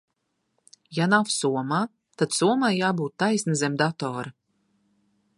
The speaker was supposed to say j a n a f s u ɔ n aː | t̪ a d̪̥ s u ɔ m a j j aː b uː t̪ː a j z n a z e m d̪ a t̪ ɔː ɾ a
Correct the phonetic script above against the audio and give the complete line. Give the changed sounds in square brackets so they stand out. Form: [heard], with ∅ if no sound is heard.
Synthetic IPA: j a n a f s u ɔ [m] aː | t̪ a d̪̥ s u ɔ m a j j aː b uː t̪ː a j [s] n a z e m d̪ a t̪ ɔː ɾ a